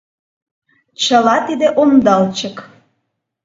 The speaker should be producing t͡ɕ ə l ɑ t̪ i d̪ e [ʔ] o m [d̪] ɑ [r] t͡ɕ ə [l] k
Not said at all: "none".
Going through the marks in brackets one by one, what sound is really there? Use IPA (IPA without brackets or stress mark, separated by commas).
ʔ, d̪, l, none